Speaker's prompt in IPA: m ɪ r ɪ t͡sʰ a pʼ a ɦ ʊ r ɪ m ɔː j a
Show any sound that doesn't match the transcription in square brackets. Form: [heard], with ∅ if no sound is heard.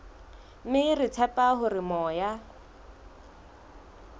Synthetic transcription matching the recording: m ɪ r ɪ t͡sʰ [ɛ] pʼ a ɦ ʊ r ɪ m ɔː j a